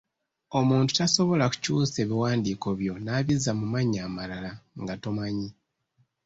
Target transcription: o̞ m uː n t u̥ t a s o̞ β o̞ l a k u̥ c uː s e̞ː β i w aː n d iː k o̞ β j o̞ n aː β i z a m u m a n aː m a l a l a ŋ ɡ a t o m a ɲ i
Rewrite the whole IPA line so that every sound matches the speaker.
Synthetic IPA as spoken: o̞ m uː n t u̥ t a s o̞ β o̞ l a k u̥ c uː s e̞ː β i w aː n d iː k o̞ β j o̞ n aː β i z a m u m a ɲ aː m a l a l a ŋ ɡ a t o m a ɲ i